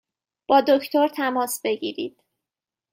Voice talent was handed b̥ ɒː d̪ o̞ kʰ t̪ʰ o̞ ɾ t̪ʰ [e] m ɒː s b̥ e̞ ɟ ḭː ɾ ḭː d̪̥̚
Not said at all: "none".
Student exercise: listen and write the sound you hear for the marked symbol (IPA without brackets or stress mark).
æ